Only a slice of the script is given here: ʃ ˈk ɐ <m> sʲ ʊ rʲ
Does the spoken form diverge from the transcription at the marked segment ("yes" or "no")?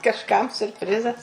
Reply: no